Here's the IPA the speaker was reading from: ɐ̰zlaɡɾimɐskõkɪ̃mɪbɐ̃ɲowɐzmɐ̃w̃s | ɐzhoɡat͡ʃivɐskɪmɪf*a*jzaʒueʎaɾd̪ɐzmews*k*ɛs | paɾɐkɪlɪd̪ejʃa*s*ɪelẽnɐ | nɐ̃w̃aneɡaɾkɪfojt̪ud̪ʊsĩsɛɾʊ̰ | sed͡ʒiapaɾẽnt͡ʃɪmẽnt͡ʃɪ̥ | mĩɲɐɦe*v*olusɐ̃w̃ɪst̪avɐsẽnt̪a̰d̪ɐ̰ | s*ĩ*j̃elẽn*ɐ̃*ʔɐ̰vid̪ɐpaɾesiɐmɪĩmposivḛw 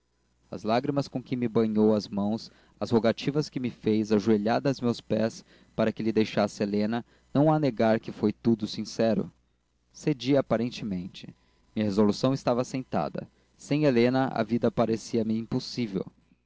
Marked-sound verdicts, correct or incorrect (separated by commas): incorrect, incorrect, correct, incorrect, incorrect, incorrect